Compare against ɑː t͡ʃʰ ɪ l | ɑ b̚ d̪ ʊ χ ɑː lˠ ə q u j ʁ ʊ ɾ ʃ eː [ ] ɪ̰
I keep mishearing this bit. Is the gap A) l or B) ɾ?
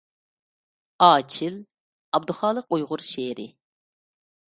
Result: B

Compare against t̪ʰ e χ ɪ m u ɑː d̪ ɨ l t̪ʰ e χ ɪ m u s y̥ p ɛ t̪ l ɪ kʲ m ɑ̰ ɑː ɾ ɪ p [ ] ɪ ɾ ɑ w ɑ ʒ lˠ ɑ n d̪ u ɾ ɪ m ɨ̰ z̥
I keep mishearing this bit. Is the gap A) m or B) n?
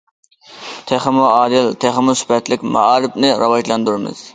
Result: B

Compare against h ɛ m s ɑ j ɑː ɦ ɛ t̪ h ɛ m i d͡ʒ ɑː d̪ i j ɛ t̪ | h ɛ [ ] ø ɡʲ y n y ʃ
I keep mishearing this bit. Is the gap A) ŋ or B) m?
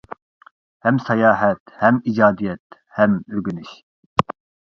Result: B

